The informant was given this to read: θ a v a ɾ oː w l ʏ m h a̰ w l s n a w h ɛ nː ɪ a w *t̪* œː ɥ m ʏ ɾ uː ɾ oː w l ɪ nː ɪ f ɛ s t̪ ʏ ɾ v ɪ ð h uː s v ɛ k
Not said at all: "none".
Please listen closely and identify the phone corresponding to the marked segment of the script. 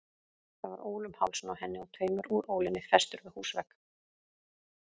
t̪ʰ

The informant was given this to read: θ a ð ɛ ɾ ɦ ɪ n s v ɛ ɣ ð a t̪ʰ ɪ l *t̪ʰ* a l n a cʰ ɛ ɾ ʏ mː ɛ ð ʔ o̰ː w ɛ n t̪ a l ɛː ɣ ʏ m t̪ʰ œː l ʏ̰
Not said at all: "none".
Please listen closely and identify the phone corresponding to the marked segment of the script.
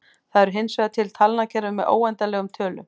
t̪ʰ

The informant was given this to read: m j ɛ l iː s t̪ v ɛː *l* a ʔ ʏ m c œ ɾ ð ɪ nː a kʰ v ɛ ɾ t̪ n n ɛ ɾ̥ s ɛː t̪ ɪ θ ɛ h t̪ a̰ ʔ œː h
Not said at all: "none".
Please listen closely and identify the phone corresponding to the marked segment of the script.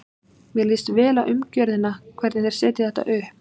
l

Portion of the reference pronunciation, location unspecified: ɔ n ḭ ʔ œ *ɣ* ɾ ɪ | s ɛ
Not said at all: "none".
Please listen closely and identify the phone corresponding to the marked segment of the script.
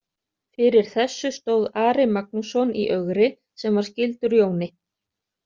ɣ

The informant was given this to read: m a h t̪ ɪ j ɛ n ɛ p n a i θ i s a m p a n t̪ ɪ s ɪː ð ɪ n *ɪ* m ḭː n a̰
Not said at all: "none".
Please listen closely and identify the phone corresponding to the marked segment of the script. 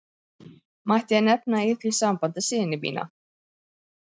ɪ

